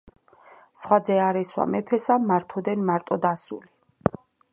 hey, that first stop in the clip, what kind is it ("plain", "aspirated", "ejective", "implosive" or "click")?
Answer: plain